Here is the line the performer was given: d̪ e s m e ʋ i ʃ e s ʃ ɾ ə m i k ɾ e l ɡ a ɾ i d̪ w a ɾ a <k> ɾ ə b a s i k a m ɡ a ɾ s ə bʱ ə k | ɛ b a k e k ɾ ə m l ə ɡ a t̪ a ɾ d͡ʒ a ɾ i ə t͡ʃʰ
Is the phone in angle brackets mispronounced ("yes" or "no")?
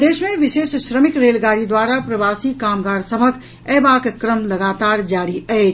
yes